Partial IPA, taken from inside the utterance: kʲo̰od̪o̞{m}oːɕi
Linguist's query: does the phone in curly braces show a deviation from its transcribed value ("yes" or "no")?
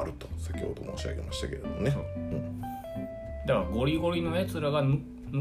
no